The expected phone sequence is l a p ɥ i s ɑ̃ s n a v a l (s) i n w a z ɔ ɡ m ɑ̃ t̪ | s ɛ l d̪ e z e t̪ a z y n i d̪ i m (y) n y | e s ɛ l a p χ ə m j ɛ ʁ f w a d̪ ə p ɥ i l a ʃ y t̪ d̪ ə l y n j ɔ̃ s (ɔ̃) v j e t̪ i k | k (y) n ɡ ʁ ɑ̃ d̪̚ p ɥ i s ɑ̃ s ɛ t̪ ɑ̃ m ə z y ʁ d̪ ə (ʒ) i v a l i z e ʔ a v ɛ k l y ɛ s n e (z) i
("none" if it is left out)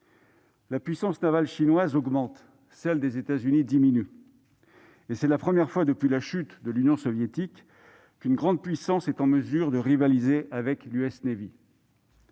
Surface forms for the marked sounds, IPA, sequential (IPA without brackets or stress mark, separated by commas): ʃ, i, ɔ, y, ʁ, v